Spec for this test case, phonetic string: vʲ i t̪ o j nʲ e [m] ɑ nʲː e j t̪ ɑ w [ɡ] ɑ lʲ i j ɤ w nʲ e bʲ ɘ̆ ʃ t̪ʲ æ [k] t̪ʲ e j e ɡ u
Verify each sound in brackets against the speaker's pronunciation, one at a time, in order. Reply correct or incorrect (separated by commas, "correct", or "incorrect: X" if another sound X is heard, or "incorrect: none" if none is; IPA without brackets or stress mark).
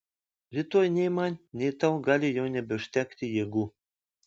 correct, correct, correct